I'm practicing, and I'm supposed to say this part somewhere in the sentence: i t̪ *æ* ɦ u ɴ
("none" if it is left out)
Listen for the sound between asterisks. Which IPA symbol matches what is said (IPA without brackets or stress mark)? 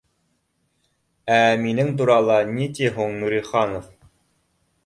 i